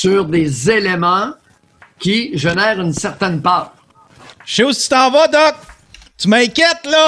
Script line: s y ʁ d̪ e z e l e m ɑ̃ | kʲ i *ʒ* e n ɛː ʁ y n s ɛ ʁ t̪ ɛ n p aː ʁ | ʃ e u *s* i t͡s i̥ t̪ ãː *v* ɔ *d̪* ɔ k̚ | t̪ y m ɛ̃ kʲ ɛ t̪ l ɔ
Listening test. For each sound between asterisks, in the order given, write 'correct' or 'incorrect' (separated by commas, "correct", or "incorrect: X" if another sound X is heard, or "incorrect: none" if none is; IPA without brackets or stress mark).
correct, correct, correct, correct